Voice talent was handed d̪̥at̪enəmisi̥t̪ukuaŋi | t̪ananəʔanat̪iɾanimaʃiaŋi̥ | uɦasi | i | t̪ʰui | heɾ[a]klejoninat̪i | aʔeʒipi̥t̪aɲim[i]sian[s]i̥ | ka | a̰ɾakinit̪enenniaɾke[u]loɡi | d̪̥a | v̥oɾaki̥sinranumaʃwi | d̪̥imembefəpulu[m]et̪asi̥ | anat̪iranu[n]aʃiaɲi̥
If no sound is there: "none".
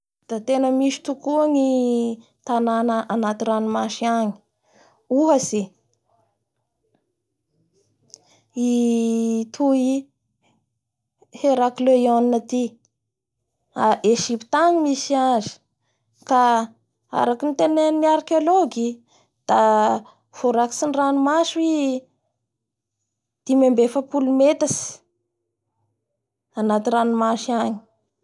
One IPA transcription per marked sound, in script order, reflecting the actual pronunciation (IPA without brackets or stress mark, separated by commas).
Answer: a, i, z, o, m, m